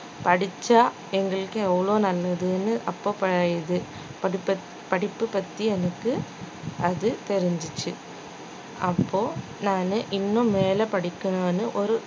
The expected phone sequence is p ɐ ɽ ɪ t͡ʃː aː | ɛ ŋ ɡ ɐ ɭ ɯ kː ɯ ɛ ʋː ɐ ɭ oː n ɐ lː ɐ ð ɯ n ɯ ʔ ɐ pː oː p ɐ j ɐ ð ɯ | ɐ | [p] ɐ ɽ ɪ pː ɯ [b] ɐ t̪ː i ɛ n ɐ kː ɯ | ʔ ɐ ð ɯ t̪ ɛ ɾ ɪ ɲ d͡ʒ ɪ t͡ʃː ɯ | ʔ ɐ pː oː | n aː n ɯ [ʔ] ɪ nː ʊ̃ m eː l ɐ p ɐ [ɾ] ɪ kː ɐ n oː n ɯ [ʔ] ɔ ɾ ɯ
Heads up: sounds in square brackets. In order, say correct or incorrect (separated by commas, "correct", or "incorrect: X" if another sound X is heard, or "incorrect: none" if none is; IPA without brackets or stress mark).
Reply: correct, incorrect: p, correct, incorrect: ɽ, correct